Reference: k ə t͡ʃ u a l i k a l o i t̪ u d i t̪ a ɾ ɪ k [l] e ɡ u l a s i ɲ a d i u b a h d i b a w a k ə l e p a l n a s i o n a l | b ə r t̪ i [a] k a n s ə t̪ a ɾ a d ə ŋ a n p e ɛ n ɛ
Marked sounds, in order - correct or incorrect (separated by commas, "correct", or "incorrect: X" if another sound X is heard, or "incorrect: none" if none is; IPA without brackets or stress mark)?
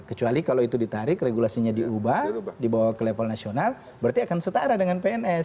incorrect: r, correct